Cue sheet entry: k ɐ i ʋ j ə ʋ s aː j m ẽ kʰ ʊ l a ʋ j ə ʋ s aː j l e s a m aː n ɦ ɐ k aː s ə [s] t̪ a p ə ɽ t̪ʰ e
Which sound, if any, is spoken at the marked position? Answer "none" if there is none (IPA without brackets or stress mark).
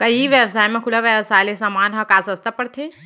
s